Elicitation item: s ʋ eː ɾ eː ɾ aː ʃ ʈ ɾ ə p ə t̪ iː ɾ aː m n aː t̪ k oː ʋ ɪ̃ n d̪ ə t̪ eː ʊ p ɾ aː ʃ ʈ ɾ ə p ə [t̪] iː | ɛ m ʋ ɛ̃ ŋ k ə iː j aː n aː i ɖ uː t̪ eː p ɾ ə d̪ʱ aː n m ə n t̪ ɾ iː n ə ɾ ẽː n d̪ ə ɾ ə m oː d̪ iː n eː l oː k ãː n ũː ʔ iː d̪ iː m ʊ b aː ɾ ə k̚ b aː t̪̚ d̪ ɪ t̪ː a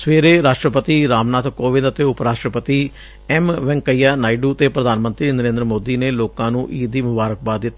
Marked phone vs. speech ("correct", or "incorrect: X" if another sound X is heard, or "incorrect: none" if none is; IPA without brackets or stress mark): correct